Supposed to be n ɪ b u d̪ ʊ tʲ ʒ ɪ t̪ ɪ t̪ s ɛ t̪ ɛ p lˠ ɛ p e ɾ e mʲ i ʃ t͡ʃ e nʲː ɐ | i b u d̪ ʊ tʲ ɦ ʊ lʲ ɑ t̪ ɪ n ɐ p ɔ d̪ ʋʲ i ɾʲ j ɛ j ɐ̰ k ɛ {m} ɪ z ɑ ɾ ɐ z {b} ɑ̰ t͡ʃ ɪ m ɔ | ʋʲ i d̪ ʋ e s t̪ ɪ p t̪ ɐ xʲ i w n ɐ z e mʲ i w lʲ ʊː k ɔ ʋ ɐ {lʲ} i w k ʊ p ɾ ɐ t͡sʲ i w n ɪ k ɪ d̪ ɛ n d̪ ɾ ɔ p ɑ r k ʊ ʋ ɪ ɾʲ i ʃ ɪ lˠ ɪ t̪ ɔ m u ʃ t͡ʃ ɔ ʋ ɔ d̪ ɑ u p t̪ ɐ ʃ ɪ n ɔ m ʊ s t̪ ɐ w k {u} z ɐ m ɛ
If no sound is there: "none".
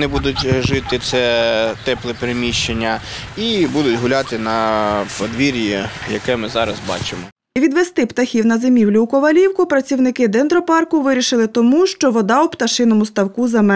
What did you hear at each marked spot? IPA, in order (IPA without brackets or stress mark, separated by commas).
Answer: m, b, lʲ, u